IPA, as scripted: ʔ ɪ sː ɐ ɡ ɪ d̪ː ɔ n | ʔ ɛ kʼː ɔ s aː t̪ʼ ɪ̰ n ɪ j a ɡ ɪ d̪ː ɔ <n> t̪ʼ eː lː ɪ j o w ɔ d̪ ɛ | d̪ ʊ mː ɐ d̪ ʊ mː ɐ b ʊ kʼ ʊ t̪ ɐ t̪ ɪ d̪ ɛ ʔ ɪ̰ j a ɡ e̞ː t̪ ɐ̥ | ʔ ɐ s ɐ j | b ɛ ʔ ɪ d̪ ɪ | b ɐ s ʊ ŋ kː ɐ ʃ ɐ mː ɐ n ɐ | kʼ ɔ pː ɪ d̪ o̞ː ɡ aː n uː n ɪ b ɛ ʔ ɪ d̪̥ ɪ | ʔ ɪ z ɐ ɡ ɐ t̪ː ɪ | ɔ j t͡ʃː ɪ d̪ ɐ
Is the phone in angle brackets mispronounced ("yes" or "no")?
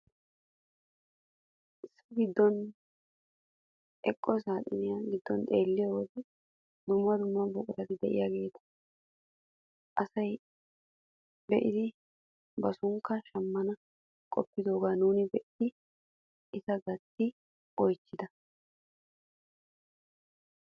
no